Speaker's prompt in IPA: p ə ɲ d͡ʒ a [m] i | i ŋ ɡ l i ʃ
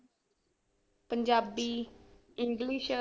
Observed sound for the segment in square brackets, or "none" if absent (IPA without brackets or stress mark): b